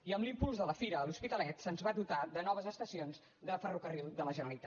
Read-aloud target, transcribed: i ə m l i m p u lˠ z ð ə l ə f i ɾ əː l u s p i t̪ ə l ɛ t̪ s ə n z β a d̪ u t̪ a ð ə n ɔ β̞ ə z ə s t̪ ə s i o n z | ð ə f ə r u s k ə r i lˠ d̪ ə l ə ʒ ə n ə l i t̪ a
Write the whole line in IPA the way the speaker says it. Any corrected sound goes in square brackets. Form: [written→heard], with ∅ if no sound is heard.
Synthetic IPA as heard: i ə m l i m p u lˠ z ð ə l ə f i ɾ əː l u s p i t̪ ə l ɛ t̪ s ə n z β a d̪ u t̪ a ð ə n ɔ β̞ ə z ə s t̪ ə s i o n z | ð ə f ə r u [s→∅] k ə r i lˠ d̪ ə l ə ʒ ə n ə l i t̪ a